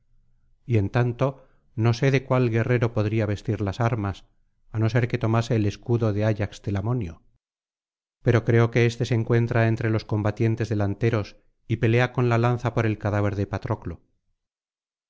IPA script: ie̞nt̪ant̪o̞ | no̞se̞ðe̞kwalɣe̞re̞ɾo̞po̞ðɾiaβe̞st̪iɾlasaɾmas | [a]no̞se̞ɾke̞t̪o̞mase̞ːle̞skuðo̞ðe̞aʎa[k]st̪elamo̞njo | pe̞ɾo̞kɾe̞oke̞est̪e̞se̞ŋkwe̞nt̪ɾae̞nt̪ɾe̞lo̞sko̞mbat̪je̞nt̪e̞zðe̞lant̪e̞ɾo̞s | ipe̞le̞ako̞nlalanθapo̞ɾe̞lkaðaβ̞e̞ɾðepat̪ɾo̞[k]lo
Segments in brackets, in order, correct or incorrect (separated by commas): correct, correct, correct